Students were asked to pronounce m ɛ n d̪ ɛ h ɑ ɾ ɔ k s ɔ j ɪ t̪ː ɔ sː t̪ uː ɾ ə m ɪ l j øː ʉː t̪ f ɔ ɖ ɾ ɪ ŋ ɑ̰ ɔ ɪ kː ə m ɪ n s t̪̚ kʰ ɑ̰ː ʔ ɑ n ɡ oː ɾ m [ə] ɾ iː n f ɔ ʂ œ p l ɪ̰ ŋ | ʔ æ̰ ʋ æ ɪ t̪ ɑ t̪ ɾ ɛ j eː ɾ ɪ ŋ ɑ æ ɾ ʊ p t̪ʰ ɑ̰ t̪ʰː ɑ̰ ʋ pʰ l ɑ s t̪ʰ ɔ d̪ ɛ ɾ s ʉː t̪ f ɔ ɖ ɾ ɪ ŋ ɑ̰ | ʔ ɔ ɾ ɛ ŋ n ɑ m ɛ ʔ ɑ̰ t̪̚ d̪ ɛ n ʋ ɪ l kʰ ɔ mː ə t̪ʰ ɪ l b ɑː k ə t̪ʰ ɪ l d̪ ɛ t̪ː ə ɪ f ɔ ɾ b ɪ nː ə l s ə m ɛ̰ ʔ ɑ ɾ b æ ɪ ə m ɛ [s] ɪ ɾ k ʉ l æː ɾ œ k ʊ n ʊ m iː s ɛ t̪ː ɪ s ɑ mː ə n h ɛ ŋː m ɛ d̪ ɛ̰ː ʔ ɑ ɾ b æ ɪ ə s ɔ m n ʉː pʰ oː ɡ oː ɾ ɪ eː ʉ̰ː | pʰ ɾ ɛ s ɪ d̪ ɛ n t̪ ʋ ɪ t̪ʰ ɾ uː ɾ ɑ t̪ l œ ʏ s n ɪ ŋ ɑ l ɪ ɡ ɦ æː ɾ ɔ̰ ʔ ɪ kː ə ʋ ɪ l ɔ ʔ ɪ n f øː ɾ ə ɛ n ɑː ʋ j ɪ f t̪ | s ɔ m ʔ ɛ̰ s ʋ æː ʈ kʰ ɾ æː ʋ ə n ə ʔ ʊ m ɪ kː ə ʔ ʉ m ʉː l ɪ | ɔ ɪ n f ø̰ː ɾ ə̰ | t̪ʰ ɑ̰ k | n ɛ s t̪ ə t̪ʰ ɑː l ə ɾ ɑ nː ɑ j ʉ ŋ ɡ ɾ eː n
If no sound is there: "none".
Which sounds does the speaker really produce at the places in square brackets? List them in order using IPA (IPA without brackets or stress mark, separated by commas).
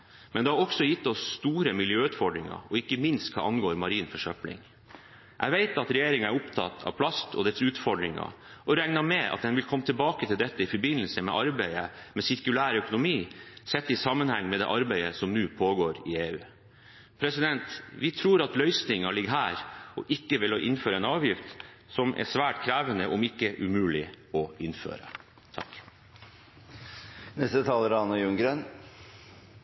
ɑ, s